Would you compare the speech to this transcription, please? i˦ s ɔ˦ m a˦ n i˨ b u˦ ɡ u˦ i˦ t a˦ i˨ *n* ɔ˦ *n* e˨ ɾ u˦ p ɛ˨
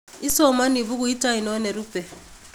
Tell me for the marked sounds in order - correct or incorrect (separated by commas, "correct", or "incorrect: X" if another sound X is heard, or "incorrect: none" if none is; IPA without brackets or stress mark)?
correct, correct